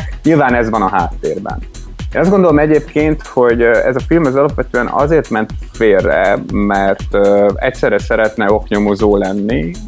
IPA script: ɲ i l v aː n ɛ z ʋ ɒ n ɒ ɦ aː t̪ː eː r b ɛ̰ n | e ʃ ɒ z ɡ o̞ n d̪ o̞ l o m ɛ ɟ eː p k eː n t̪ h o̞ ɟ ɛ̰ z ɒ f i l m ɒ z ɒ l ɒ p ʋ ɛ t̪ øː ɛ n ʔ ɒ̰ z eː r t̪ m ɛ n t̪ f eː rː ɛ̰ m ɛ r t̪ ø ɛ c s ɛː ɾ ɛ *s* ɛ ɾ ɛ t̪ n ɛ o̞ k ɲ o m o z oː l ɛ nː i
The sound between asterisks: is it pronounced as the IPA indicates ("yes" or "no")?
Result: yes